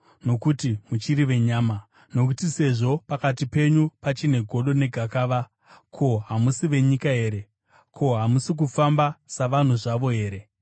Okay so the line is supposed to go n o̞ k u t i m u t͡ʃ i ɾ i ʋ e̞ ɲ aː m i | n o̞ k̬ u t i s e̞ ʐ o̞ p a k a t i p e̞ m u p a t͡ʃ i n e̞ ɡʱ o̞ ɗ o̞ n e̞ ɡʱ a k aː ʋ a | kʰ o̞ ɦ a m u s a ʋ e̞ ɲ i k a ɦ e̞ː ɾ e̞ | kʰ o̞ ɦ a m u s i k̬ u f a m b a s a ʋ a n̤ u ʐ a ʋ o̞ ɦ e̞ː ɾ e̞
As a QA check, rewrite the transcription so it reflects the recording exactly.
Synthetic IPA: n o̞ k u t i m u t͡ʃ i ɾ i ʋ e̞ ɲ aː m a | n o̞ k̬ u t i s e̞ ʐ o̞ p a k a t i p e̞ ɲ u p a t͡ʃ i n e̞ ɡʱ o̞ ɗ o̞ n e̞ ɡʱ a k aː ʋ a | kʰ o̞ ɦ a m u s i ʋ e̞ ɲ i k a ɦ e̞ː ɾ e̞ | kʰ o̞ ɦ a m u s i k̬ u f a m b a s a ʋ a n̤ u ʐ a ʋ o̞ ɦ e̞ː ɾ e̞